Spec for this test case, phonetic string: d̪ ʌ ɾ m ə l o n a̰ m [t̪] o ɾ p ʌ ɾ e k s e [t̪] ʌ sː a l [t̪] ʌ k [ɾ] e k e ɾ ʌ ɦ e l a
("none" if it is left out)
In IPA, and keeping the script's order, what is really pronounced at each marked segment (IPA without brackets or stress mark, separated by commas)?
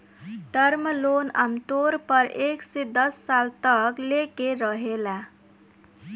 t̪, d̪, t̪, l